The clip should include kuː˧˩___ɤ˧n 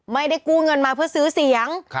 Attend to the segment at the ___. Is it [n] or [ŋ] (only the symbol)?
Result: ŋ